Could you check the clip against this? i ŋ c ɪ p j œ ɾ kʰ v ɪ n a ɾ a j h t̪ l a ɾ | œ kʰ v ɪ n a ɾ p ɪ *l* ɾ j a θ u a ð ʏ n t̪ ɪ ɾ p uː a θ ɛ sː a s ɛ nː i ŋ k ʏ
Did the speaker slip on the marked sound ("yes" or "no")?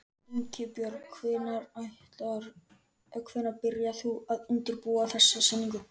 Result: yes